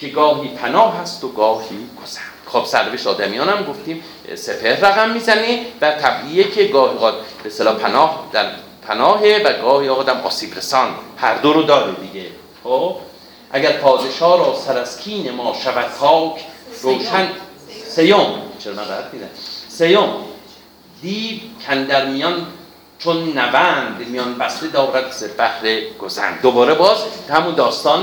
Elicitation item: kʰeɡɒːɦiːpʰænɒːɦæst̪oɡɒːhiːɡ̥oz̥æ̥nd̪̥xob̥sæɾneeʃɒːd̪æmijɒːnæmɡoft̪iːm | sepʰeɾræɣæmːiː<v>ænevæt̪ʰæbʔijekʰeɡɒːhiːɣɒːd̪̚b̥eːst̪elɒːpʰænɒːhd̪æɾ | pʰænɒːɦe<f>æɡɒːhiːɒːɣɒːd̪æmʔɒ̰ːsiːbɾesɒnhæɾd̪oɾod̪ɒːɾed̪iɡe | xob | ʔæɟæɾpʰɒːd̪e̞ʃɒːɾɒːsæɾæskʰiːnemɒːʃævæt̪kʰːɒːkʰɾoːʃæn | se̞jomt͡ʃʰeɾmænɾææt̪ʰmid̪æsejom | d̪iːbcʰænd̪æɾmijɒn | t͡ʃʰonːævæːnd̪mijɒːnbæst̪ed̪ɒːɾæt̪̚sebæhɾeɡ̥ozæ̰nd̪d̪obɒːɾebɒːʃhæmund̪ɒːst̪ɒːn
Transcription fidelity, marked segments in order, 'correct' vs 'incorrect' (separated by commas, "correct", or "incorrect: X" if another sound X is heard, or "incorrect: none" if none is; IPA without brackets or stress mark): incorrect: z, incorrect: v